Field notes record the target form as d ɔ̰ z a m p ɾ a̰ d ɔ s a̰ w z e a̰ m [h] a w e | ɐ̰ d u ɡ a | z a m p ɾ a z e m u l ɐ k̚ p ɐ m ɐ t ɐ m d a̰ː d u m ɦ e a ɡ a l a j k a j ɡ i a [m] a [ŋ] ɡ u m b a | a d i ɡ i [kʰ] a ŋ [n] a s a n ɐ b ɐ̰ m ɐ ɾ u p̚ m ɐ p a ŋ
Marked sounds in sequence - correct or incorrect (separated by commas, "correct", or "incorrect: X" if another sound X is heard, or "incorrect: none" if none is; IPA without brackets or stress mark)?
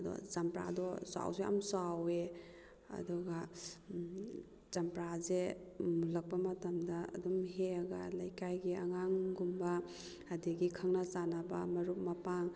incorrect: s, incorrect: ŋ, correct, correct, correct